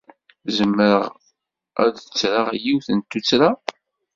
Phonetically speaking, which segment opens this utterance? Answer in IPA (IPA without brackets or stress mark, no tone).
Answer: z